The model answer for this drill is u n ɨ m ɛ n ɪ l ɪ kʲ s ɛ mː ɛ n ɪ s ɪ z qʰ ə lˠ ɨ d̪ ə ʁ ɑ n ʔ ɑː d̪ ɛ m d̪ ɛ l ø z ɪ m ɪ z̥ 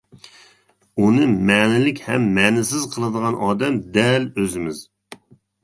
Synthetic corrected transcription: u n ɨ m ɛ n ɪ l ɪ kʲ h ɛ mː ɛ n ɪ s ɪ z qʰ ə lˠ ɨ d̪ ə ʁ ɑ n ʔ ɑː d̪ ɛ m d̪ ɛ l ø z ɪ m ɪ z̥